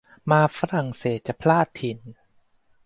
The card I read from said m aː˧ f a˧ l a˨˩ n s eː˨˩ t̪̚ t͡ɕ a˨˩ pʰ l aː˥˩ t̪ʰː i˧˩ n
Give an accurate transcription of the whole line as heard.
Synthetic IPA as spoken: m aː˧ f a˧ ɾ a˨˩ ŋ s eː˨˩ t̪̚ t͡ɕ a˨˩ pʰ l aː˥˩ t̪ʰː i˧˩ n